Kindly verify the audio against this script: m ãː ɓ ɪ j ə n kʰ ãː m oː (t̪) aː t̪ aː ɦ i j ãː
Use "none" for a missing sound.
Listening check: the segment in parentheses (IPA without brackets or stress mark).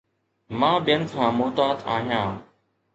t̪